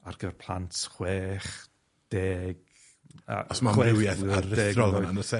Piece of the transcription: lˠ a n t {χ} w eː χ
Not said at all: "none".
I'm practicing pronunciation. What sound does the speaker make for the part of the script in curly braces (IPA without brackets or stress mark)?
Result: χ